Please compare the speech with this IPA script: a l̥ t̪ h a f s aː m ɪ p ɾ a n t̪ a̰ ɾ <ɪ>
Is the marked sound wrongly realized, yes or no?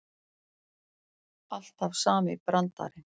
no